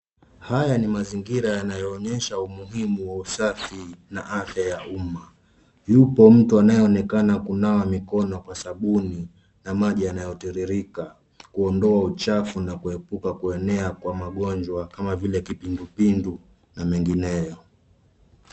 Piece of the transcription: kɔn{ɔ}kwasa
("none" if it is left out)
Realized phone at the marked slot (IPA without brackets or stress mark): ɔ